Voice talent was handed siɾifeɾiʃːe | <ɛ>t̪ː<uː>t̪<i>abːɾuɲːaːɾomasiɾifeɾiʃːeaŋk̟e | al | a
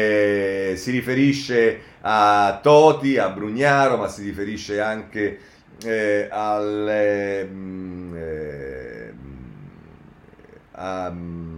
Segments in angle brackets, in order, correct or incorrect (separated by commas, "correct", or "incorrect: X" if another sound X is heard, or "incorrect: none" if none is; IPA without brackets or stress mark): incorrect: a, incorrect: ɔː, correct